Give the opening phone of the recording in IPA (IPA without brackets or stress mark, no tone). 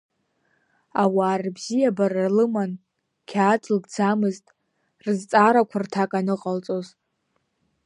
a